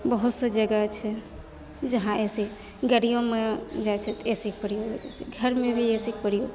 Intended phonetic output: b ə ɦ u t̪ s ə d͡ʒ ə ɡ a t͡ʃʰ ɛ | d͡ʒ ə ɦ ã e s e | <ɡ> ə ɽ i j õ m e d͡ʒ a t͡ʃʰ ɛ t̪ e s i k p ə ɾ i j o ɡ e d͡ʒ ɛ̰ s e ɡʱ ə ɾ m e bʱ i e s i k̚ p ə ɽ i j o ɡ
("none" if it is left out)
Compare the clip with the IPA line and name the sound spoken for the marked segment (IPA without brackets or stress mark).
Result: ɡ